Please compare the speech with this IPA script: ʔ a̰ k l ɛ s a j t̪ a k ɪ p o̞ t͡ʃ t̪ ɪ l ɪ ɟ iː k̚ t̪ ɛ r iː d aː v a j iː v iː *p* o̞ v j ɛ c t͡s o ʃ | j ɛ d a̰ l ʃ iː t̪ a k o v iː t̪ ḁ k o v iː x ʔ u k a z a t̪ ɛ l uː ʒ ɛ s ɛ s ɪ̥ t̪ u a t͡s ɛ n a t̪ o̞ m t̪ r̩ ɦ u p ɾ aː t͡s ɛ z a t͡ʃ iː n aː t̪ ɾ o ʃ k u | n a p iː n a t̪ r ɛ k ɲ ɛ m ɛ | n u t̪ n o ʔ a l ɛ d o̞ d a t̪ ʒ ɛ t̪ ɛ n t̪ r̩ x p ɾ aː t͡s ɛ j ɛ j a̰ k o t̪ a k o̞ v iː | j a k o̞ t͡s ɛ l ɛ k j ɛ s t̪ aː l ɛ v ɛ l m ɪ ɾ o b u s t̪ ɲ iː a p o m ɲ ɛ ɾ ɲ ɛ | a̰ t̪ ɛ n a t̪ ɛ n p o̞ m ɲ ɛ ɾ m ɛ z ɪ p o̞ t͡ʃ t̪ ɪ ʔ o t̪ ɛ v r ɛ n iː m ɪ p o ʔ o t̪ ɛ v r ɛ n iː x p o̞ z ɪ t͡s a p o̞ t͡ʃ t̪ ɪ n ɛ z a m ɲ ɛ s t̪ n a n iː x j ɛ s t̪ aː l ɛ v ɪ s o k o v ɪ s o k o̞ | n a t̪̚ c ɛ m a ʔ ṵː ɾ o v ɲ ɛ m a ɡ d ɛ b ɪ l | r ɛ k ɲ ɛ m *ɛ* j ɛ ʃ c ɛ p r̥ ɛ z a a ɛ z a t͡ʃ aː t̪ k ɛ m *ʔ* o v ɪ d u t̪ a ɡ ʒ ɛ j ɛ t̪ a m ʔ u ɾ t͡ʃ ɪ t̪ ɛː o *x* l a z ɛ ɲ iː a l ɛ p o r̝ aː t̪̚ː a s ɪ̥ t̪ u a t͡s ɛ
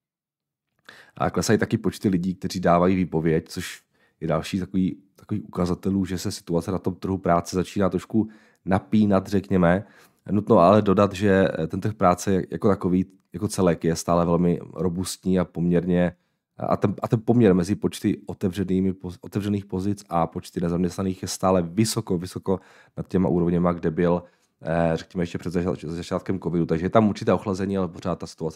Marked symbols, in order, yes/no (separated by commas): yes, yes, no, yes